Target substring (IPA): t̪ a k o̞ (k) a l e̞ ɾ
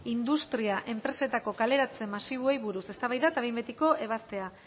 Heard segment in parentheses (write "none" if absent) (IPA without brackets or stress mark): k